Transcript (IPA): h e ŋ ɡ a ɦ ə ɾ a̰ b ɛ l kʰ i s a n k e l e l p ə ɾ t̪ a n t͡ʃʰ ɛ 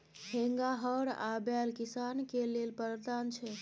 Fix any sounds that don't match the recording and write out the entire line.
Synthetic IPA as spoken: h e ŋ ɡ a ɦ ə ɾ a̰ b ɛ l k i s a n k e l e l p ə ɾ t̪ a n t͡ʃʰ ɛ